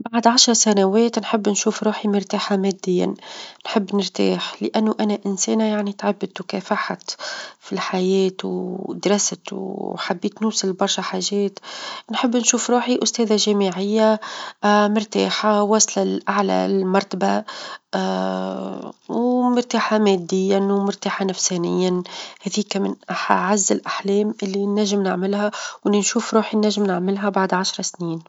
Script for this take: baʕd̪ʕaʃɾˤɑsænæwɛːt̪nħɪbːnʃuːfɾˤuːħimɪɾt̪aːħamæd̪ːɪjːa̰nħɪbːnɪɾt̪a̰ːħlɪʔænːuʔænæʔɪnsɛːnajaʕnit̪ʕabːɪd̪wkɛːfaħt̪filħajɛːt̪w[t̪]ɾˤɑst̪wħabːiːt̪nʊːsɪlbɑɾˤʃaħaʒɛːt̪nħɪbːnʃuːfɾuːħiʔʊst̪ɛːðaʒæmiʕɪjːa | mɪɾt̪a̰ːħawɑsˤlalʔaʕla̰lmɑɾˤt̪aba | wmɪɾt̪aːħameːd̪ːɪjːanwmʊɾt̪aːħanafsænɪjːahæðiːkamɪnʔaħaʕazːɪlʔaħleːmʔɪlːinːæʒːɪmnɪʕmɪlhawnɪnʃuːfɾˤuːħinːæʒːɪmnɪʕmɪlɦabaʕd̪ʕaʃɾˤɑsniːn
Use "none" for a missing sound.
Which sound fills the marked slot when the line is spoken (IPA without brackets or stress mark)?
d̪